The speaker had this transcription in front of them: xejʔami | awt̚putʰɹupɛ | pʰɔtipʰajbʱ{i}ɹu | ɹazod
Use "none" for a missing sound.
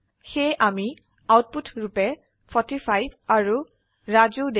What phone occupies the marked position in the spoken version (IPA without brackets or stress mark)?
a